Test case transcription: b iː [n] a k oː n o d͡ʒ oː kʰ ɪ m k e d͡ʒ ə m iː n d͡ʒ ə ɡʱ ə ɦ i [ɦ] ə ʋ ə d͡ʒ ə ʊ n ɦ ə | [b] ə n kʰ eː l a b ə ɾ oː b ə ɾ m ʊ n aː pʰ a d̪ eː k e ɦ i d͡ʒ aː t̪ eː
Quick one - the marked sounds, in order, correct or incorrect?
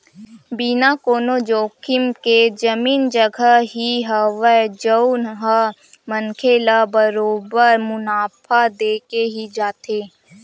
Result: correct, correct, incorrect

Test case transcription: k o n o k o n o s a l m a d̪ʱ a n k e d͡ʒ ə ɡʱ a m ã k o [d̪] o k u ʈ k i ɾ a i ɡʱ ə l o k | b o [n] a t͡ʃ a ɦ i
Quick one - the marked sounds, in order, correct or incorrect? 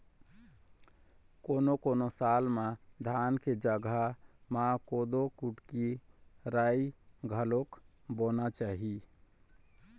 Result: correct, correct

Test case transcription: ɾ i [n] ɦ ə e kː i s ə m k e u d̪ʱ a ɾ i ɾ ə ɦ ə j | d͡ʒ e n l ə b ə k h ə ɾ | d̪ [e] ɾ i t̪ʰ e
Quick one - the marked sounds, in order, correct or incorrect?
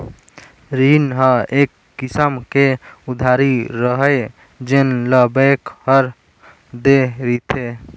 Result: correct, correct

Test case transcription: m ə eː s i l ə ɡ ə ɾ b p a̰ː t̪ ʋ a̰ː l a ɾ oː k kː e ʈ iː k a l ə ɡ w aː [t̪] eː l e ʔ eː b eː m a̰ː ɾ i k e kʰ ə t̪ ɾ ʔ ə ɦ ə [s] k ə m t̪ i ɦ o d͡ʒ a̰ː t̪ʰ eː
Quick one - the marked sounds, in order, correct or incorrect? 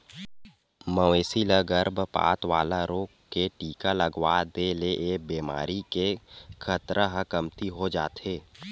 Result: incorrect, incorrect

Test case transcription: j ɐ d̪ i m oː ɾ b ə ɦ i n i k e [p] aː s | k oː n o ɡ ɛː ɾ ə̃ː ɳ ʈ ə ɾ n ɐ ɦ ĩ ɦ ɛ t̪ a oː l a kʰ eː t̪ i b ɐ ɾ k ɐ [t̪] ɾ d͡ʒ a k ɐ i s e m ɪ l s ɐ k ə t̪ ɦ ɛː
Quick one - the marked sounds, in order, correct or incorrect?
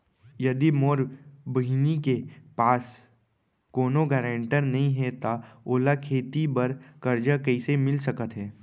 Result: correct, incorrect

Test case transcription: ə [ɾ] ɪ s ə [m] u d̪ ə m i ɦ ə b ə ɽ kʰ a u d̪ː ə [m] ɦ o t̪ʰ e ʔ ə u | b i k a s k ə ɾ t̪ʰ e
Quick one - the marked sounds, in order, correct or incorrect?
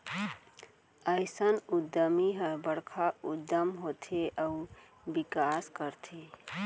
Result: incorrect, incorrect, correct

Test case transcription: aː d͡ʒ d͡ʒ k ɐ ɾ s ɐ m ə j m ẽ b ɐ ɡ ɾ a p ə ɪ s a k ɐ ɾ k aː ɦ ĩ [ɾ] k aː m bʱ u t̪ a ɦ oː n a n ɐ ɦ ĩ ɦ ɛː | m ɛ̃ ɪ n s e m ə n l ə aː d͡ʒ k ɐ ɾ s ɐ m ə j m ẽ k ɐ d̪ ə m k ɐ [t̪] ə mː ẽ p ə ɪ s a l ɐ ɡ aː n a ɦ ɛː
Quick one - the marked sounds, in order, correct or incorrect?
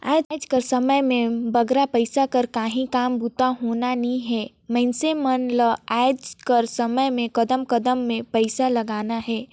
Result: incorrect, incorrect

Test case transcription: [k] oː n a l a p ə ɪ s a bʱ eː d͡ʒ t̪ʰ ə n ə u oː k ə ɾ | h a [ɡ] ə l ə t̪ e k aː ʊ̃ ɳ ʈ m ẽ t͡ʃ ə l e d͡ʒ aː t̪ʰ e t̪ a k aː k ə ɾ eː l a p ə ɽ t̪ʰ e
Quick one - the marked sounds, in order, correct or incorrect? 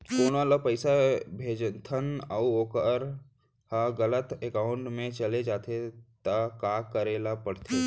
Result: correct, correct

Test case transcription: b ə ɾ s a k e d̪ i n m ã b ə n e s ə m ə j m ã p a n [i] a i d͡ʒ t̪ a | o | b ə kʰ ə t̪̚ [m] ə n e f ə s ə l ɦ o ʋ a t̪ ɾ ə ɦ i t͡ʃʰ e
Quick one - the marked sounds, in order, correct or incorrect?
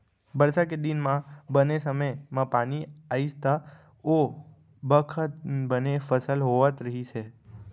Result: correct, incorrect

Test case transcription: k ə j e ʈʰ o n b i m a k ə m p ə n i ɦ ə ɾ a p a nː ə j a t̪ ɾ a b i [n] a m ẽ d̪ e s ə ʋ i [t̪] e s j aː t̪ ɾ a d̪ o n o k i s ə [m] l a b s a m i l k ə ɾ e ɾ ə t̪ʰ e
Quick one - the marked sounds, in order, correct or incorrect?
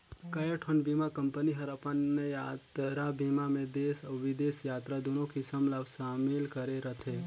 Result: incorrect, incorrect, correct

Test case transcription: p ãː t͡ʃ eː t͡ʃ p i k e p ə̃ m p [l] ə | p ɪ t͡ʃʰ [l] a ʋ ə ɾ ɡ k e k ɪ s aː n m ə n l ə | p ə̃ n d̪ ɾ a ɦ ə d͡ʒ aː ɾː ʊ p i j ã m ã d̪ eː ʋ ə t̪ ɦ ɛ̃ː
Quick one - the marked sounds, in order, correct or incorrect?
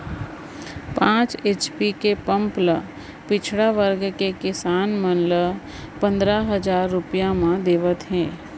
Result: correct, incorrect

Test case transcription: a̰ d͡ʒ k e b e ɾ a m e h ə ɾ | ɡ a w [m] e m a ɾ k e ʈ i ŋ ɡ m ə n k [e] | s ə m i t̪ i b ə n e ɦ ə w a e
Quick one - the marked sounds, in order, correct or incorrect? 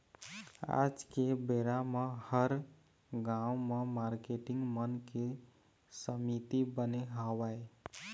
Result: correct, correct

